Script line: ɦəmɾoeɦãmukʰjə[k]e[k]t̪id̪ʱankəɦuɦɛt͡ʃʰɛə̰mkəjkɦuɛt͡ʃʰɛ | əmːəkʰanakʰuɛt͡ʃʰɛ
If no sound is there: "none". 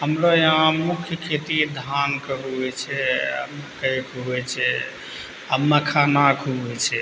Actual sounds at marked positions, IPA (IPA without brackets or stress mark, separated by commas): kʰ, none